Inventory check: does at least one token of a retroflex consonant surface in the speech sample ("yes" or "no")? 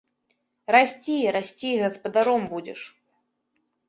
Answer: yes